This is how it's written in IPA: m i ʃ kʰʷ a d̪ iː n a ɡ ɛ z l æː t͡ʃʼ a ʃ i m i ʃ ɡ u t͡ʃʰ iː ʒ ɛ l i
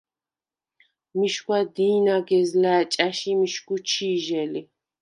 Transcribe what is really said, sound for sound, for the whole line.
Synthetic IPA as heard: m i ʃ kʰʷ a d̪ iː n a ɡ ɛ z l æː t͡ʃʼ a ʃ i m i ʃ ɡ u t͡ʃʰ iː ʒ ɛ l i